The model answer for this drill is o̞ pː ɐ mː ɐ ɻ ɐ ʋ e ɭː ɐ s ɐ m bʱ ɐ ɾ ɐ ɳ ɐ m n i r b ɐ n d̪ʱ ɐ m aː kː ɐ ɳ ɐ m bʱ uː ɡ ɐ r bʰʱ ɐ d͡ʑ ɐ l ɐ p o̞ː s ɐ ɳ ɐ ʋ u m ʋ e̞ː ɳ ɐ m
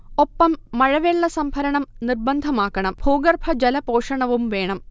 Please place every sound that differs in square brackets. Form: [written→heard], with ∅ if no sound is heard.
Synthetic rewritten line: o̞ pː ɐ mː ɐ ɻ ɐ ʋ e ɭː ɐ s ɐ m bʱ ɐ ɾ ɐ ɳ ɐ m n i r b ɐ n d̪ʱ ɐ m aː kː ɐ ɳ ɐ m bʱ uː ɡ ɐ r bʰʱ ɐ d͡ʑ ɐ l ɐ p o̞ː [s→ʂ] ɐ ɳ ɐ ʋ u m ʋ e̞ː ɳ ɐ m